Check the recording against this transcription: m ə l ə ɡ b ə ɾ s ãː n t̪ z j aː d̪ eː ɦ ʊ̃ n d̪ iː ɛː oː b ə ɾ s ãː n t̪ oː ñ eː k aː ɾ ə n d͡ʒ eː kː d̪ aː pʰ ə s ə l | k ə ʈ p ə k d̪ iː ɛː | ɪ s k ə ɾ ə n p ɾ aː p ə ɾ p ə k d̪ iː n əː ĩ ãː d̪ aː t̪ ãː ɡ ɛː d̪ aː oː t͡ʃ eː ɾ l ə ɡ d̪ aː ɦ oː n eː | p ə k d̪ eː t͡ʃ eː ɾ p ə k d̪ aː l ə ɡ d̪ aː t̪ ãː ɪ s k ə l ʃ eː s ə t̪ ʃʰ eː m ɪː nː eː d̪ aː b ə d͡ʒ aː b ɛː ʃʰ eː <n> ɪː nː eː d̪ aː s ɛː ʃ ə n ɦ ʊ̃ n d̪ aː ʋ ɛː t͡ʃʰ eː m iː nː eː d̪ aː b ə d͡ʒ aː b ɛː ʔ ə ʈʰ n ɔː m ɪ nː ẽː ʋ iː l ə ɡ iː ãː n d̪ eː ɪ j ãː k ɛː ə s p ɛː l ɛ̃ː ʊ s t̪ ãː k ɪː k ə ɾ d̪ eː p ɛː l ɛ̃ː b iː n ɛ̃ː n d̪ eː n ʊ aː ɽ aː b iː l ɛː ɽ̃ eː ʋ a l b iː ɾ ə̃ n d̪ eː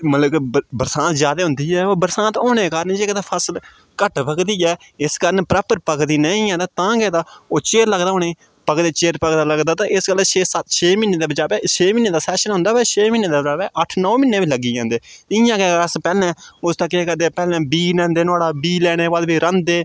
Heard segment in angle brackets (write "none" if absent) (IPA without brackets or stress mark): m